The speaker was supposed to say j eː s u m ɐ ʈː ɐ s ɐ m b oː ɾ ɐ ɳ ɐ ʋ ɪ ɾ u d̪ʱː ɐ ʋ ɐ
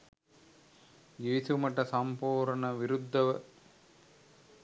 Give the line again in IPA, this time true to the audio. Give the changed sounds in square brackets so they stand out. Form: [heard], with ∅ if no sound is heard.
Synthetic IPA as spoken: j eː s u m ɐ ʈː ɐ s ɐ m [p] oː ɾ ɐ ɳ ɐ ʋ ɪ ɾ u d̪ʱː ɐ ʋ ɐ